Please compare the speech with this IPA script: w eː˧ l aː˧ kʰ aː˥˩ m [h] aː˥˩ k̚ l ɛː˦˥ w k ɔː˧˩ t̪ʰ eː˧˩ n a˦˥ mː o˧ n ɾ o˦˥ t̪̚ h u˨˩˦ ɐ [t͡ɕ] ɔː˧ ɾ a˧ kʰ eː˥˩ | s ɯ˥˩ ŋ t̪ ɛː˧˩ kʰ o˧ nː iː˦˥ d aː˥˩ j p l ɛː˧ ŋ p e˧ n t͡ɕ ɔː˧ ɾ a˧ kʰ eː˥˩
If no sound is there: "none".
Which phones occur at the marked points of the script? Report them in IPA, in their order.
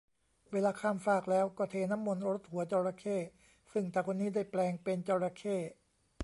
f, t͡ɕ

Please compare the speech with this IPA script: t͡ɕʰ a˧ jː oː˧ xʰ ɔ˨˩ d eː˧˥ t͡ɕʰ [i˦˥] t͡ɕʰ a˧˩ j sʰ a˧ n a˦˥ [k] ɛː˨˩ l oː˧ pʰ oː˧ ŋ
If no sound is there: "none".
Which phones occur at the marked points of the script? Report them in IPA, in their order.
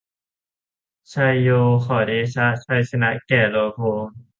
a˦˥, k

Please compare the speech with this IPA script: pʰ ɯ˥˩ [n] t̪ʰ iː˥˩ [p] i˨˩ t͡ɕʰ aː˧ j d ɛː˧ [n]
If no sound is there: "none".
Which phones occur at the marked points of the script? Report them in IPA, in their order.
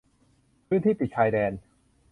n, p, n

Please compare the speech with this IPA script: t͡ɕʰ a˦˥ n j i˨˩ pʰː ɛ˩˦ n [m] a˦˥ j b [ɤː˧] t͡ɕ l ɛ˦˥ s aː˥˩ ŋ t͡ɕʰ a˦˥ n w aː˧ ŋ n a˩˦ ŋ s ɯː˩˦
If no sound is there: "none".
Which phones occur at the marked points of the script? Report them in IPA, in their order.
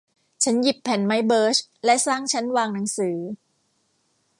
m, ɤː˦˥

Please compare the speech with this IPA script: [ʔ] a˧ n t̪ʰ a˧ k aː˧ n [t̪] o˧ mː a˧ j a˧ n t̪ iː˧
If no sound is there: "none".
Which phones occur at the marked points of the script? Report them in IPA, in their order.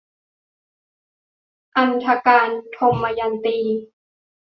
ʔ, t̪ʰ

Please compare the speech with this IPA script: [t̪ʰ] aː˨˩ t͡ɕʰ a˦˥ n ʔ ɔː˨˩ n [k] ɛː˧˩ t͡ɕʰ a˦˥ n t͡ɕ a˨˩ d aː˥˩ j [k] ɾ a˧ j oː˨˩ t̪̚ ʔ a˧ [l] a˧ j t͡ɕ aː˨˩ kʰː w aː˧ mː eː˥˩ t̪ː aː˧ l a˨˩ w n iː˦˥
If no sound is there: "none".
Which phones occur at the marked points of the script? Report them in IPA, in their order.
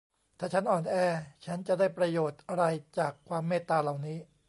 t̪ʰ, ʔ, p, ɾ

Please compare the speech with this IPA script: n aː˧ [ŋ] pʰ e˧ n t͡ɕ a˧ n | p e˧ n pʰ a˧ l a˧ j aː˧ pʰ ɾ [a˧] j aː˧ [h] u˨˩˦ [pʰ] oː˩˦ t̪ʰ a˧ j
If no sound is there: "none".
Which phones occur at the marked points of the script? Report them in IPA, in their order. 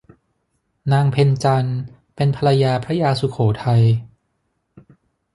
ŋ, a˦˥, s, kʰ

